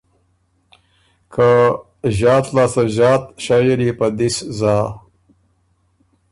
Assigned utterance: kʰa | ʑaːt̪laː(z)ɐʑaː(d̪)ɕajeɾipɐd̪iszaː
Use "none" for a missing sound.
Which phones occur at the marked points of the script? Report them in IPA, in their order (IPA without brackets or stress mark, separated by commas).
s, t̪